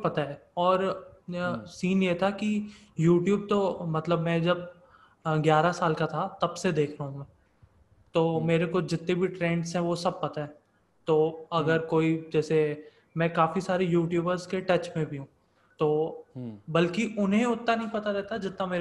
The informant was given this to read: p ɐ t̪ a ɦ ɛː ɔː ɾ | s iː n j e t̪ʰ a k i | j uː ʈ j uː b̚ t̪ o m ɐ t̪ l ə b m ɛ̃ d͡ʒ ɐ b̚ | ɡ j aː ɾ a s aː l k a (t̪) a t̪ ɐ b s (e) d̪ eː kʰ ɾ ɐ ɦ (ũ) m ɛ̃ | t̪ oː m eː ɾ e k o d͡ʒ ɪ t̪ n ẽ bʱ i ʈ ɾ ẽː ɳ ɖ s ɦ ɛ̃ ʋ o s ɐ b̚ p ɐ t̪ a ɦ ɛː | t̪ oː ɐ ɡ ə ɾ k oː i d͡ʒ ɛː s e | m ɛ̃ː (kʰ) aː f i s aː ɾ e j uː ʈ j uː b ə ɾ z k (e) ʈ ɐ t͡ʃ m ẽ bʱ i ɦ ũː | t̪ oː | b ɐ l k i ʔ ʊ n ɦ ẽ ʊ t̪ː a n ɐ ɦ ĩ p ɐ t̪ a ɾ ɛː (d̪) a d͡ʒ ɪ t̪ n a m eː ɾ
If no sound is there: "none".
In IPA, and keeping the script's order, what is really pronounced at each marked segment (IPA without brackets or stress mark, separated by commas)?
t̪ʰ, e, ũ, k, e, t̪